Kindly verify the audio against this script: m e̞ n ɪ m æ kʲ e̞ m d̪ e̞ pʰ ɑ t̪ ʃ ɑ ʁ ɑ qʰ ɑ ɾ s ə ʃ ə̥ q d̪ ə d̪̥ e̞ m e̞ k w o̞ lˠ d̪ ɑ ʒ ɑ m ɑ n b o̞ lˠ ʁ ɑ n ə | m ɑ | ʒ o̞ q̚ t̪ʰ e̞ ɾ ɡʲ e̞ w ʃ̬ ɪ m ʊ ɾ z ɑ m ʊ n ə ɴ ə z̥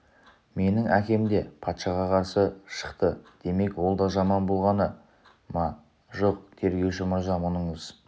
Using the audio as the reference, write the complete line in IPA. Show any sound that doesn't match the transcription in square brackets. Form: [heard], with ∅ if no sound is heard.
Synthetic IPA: m e̞ n ɪ [ŋ] æ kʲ e̞ m d̪ e̞ pʰ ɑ t̪ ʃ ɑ ʁ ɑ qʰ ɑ ɾ s ə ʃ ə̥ q [t̪] ə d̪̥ e̞ m e̞ k w o̞ lˠ d̪ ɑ ʒ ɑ m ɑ n b o̞ lˠ ʁ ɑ n ə | m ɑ | ʒ o̞ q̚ t̪ʰ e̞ ɾ ɡʲ e̞ w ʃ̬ ɪ m ʊ ɾ z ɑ m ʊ n ə ɴ ə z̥

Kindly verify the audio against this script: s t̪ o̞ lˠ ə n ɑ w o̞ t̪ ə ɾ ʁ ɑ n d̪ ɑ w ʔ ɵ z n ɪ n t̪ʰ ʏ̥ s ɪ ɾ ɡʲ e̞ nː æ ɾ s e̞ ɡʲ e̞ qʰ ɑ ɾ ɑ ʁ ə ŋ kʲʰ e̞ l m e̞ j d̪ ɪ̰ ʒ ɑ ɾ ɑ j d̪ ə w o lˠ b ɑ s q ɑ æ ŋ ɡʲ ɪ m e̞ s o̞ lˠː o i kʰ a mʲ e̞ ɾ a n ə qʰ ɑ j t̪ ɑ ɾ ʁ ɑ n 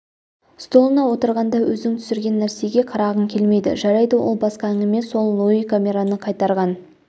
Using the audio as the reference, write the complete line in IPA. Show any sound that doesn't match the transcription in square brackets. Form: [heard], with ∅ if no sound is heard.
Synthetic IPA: s t̪ o̞ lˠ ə n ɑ w o̞ t̪ ə ɾ ʁ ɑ n d̪ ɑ w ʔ ɵ z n ɪ [ŋ] t̪ʰ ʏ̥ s ɪ ɾ ɡʲ e̞ nː æ ɾ s e̞ ɡʲ e̞ qʰ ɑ ɾ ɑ ʁ ə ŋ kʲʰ e̞ l m e̞ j d̪ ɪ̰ ʒ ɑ ɾ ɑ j d̪ ə w o lˠ b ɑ s q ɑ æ ŋ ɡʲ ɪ m e̞ s o̞ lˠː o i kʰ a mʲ e̞ ɾ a n ə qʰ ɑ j t̪ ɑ ɾ ʁ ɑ n

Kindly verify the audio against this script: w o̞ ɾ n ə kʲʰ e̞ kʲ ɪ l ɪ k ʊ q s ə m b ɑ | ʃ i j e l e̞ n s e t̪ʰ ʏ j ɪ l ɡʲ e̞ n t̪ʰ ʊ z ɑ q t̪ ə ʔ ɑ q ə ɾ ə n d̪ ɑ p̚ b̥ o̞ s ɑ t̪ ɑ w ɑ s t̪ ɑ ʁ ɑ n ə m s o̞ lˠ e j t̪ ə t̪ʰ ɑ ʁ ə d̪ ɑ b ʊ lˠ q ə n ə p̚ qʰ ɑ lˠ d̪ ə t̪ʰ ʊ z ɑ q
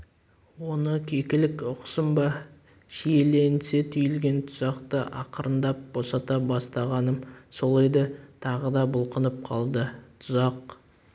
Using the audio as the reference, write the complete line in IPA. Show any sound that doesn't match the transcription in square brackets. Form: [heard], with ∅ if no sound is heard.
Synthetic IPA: w o̞ [∅] n ə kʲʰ e̞ kʲ ɪ l ɪ k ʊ q s ə m b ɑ | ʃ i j e l e̞ n s e t̪ʰ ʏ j ɪ l ɡʲ e̞ n t̪ʰ ʊ z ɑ q t̪ ə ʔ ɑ q ə ɾ ə n d̪ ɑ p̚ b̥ o̞ s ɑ t̪ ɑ [b] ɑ s t̪ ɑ ʁ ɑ n ə m s o̞ lˠ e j [d̪] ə t̪ʰ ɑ ʁ ə d̪ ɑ b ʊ lˠ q ə n ə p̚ qʰ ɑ lˠ d̪ ə t̪ʰ ʊ z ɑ q

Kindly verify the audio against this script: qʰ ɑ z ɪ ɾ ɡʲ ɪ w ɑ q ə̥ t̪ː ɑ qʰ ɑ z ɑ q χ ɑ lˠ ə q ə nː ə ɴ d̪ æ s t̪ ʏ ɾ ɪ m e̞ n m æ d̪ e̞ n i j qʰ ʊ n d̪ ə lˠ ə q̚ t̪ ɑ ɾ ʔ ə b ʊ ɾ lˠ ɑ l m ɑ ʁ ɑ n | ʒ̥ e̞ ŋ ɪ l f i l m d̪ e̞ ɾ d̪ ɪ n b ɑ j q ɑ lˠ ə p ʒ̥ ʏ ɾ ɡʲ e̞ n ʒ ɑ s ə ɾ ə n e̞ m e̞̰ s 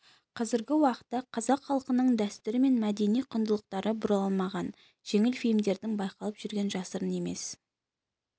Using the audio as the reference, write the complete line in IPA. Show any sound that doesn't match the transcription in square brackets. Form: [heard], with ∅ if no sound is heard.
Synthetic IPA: qʰ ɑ z ɪ ɾ ɡʲ ɪ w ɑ q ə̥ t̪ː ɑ qʰ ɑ z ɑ q χ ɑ lˠ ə q ə [n] ə ɴ d̪ æ s t̪ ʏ ɾ ɪ m e̞ n m æ d̪ e̞ n i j qʰ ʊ n d̪ ə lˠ ə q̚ t̪ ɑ ɾ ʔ ə b ʊ ɾ lˠ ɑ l m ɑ ʁ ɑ n | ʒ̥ e̞ ŋ ɪ l f i l m d̪ e̞ ɾ d̪ ɪ [ŋ] b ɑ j q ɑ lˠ ə p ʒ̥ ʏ ɾ ɡʲ e̞ n ʒ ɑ s ə ɾ ə n e̞ m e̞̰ s

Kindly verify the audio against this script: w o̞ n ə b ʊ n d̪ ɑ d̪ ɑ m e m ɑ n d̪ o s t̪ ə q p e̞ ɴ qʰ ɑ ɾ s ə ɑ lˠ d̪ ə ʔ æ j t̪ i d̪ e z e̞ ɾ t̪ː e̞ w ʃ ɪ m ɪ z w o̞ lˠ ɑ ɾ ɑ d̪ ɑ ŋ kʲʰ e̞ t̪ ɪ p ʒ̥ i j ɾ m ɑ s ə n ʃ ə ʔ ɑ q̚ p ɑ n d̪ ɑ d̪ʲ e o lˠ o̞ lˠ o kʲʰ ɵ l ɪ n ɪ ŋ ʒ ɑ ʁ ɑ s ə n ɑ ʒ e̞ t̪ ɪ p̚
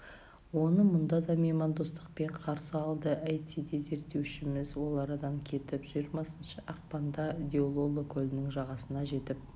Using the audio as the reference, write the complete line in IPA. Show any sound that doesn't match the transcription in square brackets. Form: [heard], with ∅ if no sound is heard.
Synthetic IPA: w o̞ n ə [m] ʊ n d̪ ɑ d̪ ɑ m e m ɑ n d̪ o s t̪ ə q p e̞ ɴ qʰ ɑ ɾ s ə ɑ lˠ d̪ ə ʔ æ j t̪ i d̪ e z e̞ ɾ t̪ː e̞ w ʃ ɪ m ɪ z w o̞ lˠ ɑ ɾ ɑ d̪ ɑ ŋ kʲʰ e̞ t̪ ɪ p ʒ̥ i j ɾ m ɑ s ə n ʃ ə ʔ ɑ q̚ p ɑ n d̪ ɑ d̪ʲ e o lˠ o̞ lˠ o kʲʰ ɵ l ɪ n ɪ ŋ ʒ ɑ ʁ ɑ s ə n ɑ ʒ e̞ t̪ ɪ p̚

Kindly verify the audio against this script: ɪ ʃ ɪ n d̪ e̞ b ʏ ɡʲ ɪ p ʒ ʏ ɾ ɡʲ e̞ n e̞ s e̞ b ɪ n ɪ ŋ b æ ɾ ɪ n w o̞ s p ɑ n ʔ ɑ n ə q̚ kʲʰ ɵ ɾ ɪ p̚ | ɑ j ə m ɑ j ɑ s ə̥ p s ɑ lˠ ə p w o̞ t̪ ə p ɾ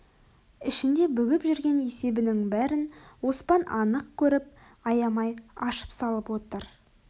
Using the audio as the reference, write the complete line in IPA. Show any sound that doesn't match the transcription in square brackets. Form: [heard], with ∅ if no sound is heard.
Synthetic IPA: ɪ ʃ ɪ n d̪ e̞ b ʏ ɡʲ ɪ p ʒ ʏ ɾ ɡʲ e̞ n e̞ s e̞ b ɪ n ɪ ŋ b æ ɾ ɪ n w o̞ s p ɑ n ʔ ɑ n ə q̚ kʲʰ ɵ ɾ ɪ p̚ | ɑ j [ɑ] m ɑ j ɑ [ʃ] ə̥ p s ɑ lˠ ə p w o̞ t̪ ə [∅] ɾ

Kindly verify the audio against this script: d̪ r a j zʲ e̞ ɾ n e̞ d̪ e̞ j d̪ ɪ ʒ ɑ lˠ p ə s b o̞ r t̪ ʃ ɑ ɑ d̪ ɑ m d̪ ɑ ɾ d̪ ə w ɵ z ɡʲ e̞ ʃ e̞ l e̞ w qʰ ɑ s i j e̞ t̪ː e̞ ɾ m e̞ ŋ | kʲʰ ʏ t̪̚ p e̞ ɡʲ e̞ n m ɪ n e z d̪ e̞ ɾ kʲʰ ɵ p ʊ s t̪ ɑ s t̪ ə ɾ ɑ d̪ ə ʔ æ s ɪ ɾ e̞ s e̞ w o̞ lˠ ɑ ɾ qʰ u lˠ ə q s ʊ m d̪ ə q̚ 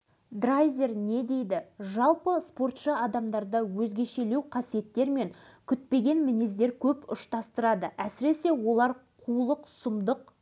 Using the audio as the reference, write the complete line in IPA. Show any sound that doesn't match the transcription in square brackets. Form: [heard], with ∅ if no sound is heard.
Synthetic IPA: d̪ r a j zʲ e̞ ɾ n e̞ d̪ e̞ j d̪ ɪ ʒ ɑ lˠ p ə s [p] o̞ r t̪ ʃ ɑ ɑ d̪ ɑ m d̪ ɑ ɾ d̪ [ɑ] w ɵ z ɡʲ e̞ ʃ e̞ l e̞ w qʰ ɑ s i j e̞ t̪ː e̞ ɾ m e̞ ŋ | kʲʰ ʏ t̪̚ p e̞ ɡʲ e̞ n m ɪ n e z d̪ e̞ ɾ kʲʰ ɵ p ʊ [ʃ] t̪ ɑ s t̪ ə ɾ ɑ d̪ ə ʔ æ s ɪ ɾ e̞ s e̞ w o̞ lˠ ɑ ɾ qʰ u lˠ ə q s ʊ m d̪ ə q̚

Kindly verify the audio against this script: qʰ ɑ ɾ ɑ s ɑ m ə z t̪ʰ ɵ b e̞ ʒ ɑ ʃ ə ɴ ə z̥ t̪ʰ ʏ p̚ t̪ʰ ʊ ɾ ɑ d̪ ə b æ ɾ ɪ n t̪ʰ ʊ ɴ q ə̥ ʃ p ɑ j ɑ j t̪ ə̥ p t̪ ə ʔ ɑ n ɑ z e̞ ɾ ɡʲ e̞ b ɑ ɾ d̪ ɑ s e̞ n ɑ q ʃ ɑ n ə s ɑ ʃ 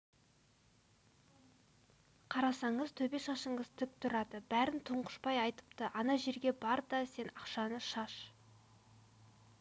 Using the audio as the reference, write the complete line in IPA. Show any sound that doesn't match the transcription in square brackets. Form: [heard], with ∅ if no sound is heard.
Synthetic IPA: qʰ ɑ ɾ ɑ s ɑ [ɴ] ə z t̪ʰ ɵ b e̞ [ʃ] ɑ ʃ ə ɴ ə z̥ t̪ʰ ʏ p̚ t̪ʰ ʊ ɾ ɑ d̪ ə b æ ɾ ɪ n t̪ʰ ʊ ɴ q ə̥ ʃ p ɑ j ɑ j t̪ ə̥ p t̪ ə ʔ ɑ n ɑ [ʒ] e̞ ɾ ɡʲ e̞ b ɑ ɾ d̪ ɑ s e̞ n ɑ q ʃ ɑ n ə [ʃ] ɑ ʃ

